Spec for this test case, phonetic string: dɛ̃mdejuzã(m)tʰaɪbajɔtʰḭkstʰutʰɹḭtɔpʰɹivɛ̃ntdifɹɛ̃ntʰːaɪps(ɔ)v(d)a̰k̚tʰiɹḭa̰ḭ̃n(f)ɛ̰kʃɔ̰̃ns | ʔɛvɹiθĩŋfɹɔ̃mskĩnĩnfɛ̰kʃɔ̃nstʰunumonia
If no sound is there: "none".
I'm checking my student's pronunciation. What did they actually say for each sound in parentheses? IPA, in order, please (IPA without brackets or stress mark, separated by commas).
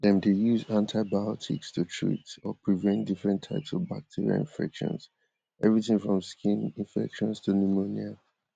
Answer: n, ɔ, b, f